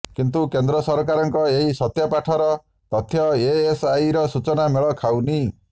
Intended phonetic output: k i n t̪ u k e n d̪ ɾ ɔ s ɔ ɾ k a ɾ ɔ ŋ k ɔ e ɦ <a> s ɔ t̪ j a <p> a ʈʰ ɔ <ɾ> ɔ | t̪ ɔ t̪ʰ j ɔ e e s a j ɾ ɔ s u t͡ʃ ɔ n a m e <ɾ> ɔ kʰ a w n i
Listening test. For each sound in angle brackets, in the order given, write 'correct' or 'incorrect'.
incorrect: i, correct, correct, incorrect: ɭ

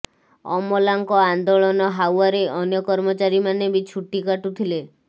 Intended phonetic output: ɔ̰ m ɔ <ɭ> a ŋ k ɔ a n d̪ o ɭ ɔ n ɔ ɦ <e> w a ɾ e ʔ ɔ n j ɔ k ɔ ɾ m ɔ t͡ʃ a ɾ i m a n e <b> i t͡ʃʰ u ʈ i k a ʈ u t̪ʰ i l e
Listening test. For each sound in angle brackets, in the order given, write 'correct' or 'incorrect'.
incorrect: l, incorrect: a, correct

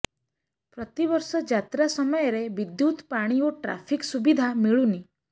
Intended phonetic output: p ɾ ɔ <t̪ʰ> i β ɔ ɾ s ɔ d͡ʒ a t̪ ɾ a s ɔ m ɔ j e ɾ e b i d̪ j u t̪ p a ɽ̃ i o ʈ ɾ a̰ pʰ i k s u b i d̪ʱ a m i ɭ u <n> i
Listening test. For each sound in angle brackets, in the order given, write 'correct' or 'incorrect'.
incorrect: t̪, correct

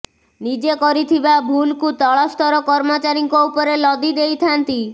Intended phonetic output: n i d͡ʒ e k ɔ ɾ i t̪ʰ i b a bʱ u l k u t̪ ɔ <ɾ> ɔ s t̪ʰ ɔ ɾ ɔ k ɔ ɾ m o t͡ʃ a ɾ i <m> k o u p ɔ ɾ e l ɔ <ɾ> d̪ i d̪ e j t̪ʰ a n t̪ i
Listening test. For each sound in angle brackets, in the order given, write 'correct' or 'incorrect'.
incorrect: ɭ, incorrect: ŋ, incorrect: none

